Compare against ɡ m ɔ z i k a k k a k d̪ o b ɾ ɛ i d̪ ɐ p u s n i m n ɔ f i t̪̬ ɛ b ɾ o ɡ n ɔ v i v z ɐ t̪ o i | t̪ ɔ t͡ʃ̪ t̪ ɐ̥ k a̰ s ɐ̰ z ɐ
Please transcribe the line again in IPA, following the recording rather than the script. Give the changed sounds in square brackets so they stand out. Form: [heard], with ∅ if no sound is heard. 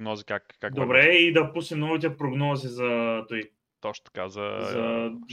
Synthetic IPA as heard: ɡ [n] ɔ z i k a k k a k d̪ o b ɾ ɛ i d̪ ɐ p u s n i m n ɔ [v] i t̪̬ ɛ [p] ɾ o ɡ n ɔ [z] i [∅] z ɐ t̪ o i | t̪ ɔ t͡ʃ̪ t̪ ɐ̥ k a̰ [z] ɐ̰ z ɐ